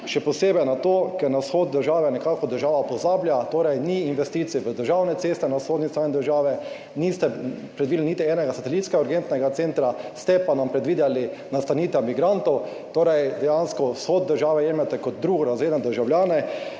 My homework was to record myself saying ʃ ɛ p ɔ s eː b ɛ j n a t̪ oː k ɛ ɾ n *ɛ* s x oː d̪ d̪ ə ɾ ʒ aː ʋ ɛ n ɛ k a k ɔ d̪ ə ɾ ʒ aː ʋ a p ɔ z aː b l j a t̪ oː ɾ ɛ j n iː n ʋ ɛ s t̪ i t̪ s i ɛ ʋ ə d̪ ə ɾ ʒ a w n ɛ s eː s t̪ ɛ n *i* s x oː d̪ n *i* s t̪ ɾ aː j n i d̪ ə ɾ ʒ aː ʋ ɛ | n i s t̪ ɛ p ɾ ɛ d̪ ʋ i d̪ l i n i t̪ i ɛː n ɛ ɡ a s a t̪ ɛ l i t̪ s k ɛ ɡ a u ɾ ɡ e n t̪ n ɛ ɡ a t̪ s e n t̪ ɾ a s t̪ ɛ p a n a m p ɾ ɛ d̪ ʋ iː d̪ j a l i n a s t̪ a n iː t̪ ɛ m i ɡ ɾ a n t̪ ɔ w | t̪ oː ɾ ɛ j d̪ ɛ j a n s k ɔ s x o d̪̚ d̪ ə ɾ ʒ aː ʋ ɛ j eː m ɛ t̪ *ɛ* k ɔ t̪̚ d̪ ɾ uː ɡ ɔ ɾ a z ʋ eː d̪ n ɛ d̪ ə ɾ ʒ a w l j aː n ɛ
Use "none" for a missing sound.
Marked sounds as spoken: a, a, i, ɛ

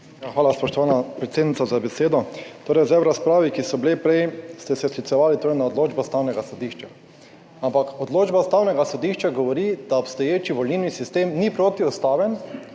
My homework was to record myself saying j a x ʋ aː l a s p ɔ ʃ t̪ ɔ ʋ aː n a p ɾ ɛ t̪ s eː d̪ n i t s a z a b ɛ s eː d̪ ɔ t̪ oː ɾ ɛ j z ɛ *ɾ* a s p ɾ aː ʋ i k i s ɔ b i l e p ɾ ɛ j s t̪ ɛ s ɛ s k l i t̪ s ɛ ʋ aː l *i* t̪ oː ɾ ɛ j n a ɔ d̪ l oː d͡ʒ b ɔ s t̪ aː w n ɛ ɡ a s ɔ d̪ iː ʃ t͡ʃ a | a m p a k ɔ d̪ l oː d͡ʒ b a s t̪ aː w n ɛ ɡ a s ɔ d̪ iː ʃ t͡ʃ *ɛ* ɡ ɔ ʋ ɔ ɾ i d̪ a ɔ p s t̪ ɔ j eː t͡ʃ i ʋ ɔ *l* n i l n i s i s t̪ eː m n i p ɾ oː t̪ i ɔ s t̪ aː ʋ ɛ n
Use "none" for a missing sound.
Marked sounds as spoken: ɾ, i, a, l

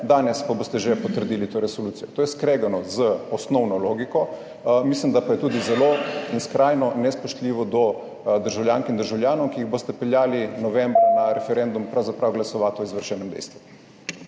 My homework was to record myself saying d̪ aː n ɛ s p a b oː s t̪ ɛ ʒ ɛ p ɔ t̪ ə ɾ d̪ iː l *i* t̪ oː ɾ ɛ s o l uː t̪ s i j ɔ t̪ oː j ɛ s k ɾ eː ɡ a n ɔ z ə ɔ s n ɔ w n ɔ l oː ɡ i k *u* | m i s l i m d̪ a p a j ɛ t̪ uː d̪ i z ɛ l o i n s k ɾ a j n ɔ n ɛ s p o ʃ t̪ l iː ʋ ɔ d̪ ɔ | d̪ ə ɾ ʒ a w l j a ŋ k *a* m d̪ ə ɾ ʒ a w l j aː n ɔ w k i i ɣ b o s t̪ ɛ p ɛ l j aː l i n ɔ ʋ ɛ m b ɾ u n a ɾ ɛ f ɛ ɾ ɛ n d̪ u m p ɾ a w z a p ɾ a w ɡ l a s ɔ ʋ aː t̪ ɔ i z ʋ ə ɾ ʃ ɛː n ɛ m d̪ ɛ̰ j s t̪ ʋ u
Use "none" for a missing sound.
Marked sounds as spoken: i, ɔ, i

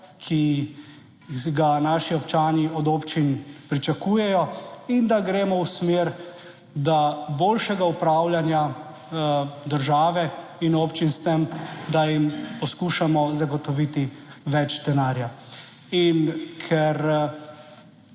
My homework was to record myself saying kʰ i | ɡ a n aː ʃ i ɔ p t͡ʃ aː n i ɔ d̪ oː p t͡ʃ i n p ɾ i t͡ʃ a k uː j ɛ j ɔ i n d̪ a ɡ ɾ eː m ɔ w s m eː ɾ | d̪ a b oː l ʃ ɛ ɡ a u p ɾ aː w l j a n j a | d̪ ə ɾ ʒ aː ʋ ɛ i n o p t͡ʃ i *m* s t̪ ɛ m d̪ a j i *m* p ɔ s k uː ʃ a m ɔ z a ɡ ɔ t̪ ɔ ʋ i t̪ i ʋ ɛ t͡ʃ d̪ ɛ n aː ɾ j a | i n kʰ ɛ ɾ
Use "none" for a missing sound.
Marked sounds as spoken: n, m

